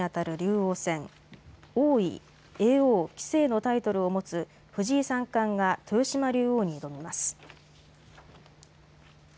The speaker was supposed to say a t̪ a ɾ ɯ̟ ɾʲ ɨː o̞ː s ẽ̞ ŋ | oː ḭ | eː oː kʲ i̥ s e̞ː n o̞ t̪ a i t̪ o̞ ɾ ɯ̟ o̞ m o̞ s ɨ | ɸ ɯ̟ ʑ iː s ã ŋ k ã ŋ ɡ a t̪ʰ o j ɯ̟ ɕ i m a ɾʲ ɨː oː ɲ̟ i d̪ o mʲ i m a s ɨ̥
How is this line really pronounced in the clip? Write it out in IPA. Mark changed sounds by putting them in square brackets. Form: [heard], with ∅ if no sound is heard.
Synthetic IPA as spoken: a t̪ a ɾ ɯ̟ ɾʲ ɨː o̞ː s ẽ̞ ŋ | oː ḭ | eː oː kʲ i̥ s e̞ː n o̞ t̪ a i t̪ o̞ ɾ ɯ̟ o̞ m o̞ [t͡s] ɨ | ɸ ɯ̟ ʑ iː s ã ŋ k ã ŋ ɡ a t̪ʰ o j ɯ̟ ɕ i m a ɾʲ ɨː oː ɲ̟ i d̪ o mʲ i m a s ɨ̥